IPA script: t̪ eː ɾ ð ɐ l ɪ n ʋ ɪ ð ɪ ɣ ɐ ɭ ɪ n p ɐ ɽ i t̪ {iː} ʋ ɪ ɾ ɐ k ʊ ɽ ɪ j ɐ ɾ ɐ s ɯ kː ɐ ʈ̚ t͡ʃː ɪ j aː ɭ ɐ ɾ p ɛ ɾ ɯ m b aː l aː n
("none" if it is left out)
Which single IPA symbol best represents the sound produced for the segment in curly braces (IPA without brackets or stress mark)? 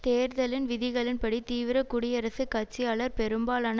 iː